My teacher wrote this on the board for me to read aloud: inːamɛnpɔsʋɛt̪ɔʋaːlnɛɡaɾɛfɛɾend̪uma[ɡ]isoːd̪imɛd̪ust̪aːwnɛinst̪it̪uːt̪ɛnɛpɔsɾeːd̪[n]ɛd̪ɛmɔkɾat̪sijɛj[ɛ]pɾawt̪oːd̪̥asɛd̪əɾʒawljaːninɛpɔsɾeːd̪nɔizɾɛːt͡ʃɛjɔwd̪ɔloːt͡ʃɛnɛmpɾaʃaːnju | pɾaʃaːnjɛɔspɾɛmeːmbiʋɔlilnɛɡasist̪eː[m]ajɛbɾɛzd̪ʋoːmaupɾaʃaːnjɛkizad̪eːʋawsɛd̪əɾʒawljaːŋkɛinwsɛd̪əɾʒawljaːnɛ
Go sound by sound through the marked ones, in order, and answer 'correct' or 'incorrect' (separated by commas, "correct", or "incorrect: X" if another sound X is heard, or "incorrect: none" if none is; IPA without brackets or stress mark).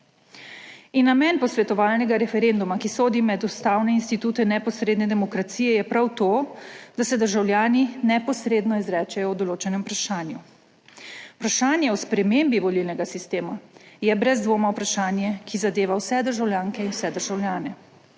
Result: incorrect: k, correct, correct, correct